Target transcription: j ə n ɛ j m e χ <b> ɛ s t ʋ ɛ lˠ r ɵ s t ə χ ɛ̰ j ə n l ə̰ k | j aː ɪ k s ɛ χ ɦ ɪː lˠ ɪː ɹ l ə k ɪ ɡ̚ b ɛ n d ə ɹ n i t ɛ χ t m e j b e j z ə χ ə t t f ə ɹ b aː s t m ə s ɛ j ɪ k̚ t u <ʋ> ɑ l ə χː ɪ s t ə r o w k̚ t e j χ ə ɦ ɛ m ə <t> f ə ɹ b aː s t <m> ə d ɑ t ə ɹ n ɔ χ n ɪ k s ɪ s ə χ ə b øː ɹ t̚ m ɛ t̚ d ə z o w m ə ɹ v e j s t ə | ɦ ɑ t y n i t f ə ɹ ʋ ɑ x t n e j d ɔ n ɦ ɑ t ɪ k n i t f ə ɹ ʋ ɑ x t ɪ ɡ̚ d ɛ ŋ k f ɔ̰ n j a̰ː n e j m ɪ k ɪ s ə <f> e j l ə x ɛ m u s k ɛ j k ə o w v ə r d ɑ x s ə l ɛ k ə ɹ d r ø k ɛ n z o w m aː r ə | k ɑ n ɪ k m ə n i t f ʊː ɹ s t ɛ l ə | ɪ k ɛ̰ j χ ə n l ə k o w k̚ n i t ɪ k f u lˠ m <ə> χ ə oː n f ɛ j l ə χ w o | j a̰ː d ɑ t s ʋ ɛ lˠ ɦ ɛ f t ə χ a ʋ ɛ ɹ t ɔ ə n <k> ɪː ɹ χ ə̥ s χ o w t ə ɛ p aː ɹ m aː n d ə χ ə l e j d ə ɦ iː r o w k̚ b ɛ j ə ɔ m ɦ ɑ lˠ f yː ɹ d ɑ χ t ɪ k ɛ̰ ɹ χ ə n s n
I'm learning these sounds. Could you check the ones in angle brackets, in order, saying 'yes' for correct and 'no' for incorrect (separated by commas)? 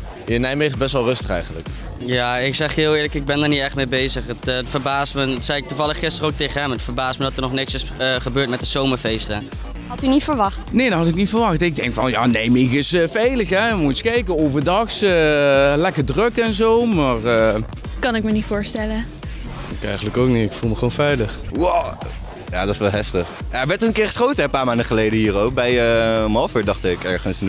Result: yes, no, yes, yes, yes, yes, yes